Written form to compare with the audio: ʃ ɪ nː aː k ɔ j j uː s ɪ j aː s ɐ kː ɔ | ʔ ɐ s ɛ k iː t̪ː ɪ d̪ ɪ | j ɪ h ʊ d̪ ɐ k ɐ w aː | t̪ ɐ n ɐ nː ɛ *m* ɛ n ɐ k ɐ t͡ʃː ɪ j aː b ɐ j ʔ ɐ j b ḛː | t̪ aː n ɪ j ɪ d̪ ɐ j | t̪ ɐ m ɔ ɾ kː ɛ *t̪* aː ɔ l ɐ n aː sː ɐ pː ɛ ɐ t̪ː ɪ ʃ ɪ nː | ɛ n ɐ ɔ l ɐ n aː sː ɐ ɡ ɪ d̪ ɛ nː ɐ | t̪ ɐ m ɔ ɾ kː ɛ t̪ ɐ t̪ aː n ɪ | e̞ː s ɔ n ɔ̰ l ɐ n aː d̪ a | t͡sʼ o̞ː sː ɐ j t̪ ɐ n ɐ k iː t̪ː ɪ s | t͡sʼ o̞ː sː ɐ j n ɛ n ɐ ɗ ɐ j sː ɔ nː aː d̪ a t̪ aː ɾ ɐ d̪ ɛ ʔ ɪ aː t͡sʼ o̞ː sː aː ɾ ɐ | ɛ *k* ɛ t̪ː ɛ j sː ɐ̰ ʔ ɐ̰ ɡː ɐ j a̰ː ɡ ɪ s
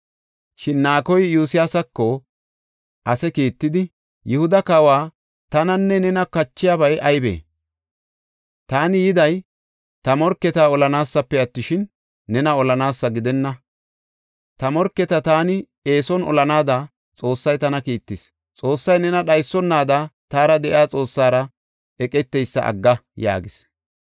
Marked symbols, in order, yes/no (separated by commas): no, yes, no